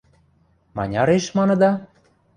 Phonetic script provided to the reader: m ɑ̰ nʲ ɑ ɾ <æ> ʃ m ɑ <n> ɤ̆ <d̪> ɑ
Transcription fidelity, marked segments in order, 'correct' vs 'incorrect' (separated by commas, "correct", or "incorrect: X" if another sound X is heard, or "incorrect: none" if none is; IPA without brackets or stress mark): incorrect: e, correct, correct